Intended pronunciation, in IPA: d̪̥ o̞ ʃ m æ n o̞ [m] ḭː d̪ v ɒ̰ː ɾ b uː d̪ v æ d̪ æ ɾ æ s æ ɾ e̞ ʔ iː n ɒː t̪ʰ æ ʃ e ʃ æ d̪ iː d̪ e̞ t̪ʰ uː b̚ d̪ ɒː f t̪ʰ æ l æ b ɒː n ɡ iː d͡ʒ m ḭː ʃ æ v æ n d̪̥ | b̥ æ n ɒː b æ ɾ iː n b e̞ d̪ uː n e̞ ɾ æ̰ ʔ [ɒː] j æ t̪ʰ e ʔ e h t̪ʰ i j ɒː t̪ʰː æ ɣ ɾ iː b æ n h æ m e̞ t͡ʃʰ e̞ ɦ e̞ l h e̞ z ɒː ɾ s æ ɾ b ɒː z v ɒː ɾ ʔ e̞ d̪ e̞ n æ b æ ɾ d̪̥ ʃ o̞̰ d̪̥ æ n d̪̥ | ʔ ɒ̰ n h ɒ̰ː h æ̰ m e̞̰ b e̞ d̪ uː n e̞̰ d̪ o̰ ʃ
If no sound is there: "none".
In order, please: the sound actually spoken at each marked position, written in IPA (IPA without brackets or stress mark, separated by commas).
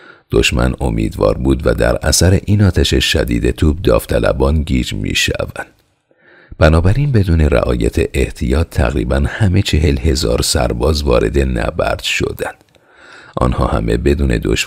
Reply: m, ɒː